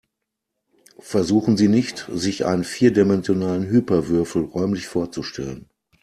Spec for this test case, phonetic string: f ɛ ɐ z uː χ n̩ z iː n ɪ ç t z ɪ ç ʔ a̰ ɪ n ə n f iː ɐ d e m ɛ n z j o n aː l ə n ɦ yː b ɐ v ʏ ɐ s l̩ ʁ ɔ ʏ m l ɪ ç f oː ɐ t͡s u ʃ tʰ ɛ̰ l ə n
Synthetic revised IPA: f ɛ ɐ z uː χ n̩ z iː n ɪ ç t z ɪ ç ʔ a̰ ɪ n ə n f iː ɐ d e m ɛ n z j o n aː l ə n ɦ yː p ɐ v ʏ ɐ f l̩ ʁ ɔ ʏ m l ɪ ç f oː ɐ t͡s u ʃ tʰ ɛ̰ l ə n